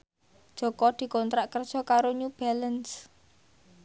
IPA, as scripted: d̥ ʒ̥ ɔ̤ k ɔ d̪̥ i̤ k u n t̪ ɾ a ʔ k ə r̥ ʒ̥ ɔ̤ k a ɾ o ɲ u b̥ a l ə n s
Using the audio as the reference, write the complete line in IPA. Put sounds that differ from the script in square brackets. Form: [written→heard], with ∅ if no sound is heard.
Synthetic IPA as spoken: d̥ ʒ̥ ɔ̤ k ɔ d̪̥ i̤ k [u→ɔ] n t̪ ɾ a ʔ k ə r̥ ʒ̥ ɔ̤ k a ɾ o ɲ u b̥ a l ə n s

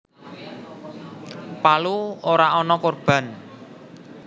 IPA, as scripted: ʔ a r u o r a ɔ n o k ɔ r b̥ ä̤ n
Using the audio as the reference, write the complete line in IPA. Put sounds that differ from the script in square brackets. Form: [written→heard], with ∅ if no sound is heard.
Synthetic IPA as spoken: [ʔ→p] a [r→l] u o [r→ɾ] a ɔ n [o→ɔ] k [ɔ→o] r b̥ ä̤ n

